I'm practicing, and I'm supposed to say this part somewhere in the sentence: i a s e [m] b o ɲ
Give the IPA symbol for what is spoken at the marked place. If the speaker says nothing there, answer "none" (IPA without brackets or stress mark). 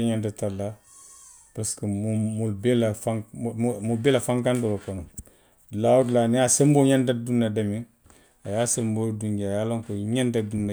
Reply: m